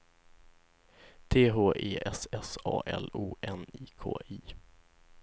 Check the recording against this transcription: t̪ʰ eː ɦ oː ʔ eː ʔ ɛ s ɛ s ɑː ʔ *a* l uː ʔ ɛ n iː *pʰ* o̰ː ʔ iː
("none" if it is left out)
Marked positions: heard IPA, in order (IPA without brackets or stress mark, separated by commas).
ɛ, kʰ